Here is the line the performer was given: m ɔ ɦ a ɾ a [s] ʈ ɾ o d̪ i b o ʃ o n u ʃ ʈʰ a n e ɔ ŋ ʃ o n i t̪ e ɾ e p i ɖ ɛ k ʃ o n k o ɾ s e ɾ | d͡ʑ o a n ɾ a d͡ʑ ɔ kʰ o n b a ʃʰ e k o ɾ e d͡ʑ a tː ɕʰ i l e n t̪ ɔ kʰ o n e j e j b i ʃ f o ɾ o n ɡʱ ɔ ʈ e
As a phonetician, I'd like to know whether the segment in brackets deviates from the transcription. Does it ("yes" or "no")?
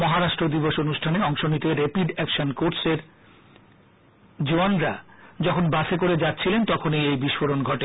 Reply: yes